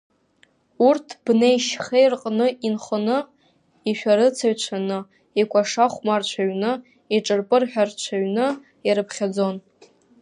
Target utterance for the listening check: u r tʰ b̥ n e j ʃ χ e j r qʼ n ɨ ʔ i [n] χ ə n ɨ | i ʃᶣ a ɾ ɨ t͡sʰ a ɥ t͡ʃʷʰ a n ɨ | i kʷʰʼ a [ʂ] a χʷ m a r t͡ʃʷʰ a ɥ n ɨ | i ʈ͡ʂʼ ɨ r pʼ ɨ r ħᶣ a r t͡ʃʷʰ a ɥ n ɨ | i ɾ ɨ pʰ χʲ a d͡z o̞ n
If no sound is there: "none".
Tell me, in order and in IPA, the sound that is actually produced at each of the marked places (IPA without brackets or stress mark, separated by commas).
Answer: n, ʂ